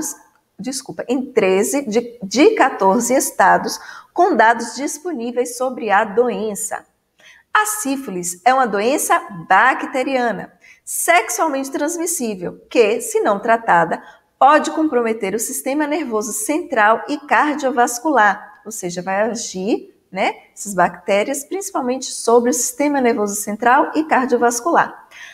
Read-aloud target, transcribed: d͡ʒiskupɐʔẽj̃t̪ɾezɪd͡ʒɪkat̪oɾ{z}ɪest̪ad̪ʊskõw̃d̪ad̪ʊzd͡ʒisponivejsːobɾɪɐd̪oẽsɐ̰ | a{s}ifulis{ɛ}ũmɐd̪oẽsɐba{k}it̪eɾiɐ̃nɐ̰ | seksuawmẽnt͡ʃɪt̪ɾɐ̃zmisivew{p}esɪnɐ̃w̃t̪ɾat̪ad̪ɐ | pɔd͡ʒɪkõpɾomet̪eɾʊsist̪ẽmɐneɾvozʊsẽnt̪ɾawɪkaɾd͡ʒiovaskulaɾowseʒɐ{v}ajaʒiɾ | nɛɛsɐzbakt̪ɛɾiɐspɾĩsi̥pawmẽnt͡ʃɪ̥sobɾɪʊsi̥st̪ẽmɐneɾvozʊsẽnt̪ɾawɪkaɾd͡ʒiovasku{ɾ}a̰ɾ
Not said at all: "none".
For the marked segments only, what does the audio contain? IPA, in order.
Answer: z, s, ɛ, k, k, v, l

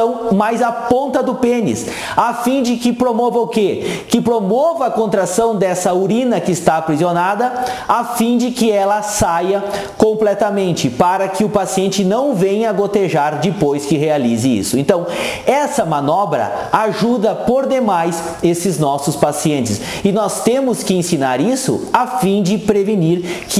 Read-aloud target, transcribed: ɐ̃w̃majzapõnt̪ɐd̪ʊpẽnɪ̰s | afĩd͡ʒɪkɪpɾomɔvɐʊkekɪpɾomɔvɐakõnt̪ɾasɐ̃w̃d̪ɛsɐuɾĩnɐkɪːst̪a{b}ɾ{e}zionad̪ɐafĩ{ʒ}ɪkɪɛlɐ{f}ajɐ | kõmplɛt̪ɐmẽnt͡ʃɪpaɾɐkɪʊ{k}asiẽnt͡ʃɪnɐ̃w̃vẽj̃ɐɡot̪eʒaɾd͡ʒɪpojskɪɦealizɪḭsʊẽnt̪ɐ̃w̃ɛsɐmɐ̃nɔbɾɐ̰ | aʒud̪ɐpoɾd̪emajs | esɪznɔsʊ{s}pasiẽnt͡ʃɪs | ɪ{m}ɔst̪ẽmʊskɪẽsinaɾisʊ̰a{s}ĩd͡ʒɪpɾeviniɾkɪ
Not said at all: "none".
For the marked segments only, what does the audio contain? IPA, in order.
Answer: p, i, d͡ʒ, s, p, s, n, f

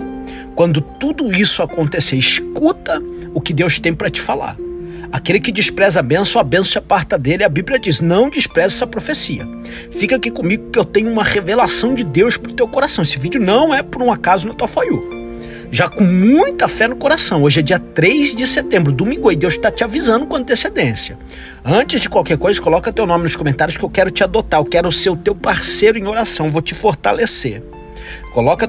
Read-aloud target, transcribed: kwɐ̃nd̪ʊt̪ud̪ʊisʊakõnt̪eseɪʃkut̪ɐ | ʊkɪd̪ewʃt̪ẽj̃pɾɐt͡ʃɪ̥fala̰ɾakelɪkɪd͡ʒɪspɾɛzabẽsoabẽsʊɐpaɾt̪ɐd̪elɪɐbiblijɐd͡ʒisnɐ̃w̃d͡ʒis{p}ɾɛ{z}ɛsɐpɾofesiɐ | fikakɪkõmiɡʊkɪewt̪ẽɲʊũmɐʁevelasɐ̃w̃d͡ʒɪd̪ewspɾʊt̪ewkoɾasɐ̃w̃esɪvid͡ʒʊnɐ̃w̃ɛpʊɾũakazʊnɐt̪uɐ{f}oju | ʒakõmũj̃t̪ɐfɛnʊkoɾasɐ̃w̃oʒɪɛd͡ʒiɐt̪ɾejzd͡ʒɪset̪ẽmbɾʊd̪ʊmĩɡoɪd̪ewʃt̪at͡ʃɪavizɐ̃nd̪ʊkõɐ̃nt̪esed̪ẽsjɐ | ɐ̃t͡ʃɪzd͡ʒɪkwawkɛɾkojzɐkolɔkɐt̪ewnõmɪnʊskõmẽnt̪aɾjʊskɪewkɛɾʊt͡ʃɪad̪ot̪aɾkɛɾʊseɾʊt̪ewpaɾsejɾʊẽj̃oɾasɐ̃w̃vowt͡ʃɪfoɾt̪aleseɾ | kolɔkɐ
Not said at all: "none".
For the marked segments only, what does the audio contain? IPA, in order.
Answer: p, z, f

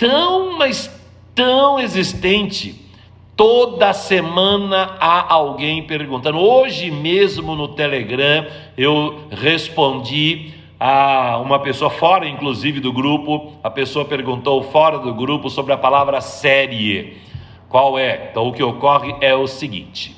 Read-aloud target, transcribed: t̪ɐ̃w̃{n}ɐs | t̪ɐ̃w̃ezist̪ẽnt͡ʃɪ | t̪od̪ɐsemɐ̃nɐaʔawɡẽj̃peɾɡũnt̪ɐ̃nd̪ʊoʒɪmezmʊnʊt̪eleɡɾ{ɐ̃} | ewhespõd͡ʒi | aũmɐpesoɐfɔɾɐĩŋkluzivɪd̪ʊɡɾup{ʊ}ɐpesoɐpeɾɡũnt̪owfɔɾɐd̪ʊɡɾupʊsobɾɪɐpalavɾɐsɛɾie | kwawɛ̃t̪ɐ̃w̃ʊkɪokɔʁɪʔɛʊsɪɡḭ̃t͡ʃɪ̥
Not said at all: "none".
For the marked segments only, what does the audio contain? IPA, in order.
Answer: m, ɐ̃, ʊ

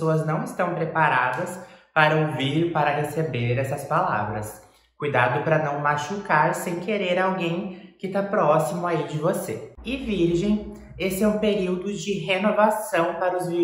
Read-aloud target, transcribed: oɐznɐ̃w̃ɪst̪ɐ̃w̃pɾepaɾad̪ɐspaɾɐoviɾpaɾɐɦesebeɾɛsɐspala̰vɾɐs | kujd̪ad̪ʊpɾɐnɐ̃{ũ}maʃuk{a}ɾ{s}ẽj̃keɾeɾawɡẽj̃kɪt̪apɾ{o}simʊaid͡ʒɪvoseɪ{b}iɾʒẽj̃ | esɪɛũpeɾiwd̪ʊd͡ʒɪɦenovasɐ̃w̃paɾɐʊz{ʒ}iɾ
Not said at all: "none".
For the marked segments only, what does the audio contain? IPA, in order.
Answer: w̃, a, s, ɔ, v, v

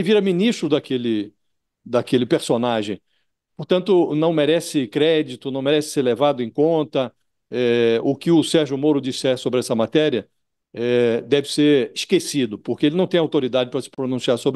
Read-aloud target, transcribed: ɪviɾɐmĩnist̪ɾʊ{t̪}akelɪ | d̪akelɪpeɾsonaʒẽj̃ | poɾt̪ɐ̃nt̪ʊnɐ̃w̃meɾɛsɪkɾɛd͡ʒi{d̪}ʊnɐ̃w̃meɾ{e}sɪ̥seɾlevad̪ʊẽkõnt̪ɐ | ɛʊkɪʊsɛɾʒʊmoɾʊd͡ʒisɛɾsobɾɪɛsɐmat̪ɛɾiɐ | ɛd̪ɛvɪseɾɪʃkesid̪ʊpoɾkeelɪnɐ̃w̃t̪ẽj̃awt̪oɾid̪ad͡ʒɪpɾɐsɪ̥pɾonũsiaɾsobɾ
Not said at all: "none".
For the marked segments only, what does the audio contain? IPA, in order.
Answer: d̪, t̪, ɛ

